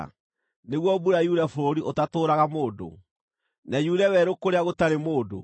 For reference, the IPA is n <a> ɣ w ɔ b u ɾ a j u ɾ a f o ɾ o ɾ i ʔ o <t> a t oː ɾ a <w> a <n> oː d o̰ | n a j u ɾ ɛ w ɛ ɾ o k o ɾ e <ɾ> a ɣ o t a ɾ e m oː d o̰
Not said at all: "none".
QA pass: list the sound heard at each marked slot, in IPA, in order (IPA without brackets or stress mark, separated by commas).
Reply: e, t, ɣ, m, none